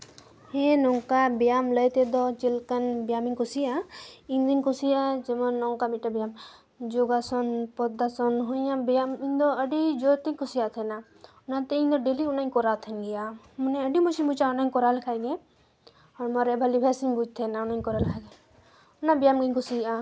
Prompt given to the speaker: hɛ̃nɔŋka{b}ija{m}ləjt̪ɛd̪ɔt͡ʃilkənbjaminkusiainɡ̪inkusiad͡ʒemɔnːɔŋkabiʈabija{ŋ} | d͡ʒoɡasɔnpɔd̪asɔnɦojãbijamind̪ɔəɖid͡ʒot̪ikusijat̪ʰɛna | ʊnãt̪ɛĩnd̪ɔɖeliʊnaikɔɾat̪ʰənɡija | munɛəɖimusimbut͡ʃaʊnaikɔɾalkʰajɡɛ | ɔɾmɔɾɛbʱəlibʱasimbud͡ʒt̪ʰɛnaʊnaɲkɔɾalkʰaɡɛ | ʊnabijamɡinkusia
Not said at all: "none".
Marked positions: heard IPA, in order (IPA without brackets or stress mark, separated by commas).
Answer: b, m, m